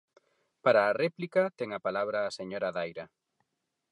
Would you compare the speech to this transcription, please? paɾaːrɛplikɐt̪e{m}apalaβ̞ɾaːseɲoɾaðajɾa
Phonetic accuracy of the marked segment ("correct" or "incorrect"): incorrect